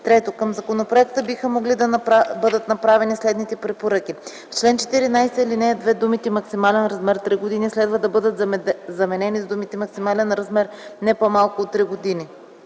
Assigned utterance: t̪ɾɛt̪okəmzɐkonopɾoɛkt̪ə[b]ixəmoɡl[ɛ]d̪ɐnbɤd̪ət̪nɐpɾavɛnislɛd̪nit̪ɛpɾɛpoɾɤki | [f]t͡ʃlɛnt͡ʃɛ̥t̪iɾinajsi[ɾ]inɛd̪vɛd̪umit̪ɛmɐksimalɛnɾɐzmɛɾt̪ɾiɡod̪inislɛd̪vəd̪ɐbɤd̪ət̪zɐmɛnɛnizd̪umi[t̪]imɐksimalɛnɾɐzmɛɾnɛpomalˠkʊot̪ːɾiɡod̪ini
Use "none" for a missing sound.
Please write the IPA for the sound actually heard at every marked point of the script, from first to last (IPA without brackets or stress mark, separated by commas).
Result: b, i, f, l, t̪